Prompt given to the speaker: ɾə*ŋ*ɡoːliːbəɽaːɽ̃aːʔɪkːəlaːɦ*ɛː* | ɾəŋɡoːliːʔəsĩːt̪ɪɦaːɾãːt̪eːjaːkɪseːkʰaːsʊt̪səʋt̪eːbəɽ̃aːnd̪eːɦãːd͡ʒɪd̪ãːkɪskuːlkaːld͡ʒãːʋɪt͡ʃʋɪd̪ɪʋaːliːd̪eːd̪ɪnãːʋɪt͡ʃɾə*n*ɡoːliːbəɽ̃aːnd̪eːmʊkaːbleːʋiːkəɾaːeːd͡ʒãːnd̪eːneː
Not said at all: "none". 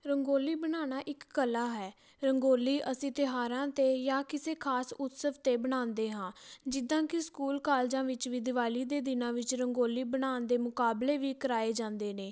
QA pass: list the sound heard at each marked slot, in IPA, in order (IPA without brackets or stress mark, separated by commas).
ŋ, ɛː, ŋ